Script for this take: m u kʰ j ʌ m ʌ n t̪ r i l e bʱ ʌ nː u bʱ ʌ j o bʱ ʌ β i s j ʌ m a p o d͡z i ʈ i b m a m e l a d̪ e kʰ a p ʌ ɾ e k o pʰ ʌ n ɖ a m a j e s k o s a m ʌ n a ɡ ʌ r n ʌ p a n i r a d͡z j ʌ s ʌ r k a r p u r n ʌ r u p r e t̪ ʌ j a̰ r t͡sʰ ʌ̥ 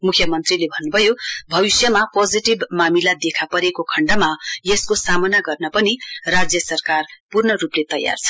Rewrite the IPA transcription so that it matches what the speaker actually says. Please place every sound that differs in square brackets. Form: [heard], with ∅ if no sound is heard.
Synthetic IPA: m u kʰ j ʌ m ʌ n t̪ r i l e bʱ ʌ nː u bʱ ʌ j o bʱ ʌ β i s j ʌ m a p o d͡z i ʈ i b m a m [i] l a d̪ e kʰ a p ʌ ɾ e k o [kʰ] ʌ [ɳ] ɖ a m a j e s k o s a m ʌ n a ɡ ʌ r n ʌ p [ʌ] n i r a d͡z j ʌ s ʌ r k a r p u r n ʌ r u p [l] e t̪ ʌ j a̰ r t͡sʰ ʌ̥